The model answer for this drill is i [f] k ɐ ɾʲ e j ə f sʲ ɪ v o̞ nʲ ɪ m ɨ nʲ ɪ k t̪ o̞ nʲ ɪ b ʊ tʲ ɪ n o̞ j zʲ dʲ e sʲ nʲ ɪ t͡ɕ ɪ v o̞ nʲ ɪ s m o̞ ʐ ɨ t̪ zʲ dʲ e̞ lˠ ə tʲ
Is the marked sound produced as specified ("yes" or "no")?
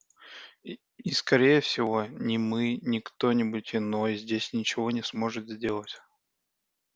no